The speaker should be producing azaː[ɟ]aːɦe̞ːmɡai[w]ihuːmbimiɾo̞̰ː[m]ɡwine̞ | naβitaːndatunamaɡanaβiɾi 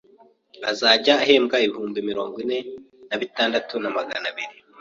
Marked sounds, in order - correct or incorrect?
correct, incorrect: β, incorrect: ŋ

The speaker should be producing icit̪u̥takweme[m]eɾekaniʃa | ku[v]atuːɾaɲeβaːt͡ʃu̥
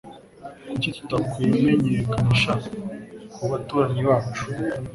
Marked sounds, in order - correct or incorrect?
incorrect: ɲ, incorrect: β

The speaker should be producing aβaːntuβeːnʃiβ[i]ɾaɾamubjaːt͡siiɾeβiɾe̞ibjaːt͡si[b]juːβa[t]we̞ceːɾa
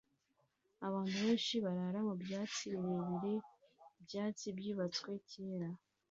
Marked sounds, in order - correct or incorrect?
incorrect: a, correct, incorrect: t͡s

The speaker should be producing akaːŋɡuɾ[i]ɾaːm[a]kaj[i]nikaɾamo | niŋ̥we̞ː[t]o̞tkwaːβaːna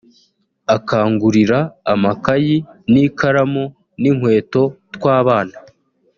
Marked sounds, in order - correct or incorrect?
correct, correct, correct, correct

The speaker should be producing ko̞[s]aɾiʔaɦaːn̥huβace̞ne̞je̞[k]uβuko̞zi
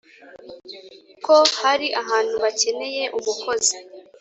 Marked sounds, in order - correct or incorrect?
incorrect: h, incorrect: ʔ

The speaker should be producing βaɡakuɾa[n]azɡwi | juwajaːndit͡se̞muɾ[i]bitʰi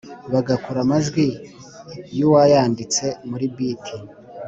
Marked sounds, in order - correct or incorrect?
incorrect: m, correct

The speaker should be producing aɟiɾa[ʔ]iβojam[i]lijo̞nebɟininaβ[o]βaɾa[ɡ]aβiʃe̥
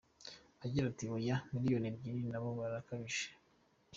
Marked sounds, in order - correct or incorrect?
incorrect: t, correct, correct, incorrect: k

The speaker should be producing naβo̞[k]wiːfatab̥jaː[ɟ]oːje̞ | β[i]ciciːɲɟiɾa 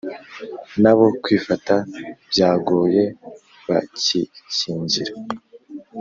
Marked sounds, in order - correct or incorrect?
correct, incorrect: ɡ, incorrect: a

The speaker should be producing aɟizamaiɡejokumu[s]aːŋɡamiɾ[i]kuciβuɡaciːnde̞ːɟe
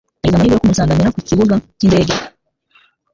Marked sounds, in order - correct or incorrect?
correct, incorrect: a

